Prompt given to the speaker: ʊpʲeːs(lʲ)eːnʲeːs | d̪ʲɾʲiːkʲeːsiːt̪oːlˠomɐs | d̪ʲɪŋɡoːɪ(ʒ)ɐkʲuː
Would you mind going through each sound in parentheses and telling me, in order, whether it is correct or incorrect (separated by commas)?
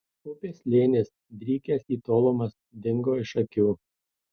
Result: correct, incorrect